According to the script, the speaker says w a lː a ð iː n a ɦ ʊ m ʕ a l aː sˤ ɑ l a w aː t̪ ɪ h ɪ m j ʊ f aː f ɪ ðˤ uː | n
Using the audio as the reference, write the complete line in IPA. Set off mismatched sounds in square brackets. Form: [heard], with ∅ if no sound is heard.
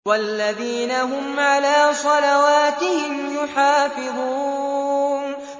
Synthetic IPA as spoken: w a lː a ð iː n a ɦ ʊ m ʕ a l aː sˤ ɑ l a w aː t̪ ɪ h ɪ m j ʊ [ħ] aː f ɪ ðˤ uː | n